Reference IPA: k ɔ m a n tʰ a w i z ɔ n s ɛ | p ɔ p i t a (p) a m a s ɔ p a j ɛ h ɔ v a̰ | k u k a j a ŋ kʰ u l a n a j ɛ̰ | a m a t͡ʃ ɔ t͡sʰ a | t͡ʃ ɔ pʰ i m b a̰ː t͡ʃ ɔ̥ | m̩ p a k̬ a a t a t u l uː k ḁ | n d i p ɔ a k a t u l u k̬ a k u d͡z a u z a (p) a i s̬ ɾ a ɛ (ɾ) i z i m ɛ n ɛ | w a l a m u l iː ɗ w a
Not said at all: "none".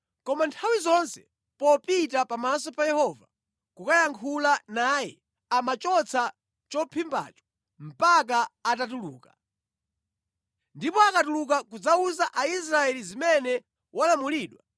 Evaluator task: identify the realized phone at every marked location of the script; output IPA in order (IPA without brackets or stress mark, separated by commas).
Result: p, ʔ, l